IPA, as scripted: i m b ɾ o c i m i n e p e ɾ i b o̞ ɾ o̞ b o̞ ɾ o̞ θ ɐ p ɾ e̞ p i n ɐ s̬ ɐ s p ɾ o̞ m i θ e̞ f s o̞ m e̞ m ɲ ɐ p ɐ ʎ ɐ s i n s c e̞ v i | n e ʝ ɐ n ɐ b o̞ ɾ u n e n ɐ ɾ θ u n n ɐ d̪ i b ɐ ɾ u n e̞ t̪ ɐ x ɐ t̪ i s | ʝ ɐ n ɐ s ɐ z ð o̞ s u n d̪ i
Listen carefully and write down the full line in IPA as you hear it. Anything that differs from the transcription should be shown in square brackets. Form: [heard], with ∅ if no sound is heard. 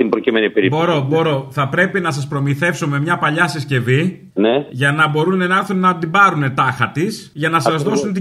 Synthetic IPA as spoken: i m b ɾ o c i m [e] n [i] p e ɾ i b o̞ ɾ o̞ b o̞ ɾ o̞ θ ɐ p ɾ e̞ p i n ɐ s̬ ɐ s p ɾ o̞ m i θ e̞ f s o̞ m e̞ m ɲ ɐ p ɐ ʎ ɐ s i [∅] s c e̞ v i | n e ʝ ɐ n ɐ b o̞ ɾ u n e n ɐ ɾ θ u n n ɐ d̪ i b ɐ ɾ u n e̞ t̪ ɐ x ɐ t̪ i s | ʝ ɐ n ɐ s ɐ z ð o̞ s u n [t̪] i